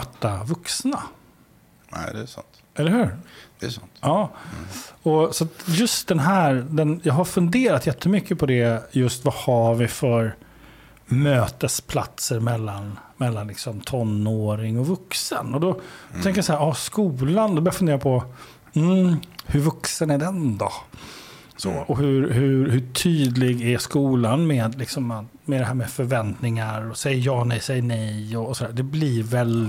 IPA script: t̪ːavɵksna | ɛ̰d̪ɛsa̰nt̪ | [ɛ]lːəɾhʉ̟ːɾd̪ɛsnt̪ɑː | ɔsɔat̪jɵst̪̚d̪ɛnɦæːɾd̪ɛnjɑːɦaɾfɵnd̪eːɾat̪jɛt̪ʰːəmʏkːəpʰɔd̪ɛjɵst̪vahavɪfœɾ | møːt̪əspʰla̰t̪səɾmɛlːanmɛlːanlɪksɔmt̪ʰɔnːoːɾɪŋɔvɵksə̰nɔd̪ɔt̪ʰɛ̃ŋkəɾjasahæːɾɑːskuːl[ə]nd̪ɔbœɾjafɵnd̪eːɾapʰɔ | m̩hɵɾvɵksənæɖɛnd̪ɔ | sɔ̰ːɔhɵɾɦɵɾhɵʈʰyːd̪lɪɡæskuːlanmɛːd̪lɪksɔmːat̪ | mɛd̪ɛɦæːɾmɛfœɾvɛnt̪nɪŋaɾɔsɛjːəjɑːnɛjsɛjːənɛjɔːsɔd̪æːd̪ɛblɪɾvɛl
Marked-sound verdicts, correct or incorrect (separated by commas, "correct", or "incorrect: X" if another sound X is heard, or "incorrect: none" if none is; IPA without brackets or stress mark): correct, incorrect: a